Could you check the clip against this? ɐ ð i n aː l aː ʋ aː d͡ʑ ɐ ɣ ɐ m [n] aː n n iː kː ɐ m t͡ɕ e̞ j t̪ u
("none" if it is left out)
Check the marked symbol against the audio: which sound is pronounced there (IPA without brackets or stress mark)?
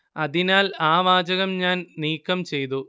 ɲ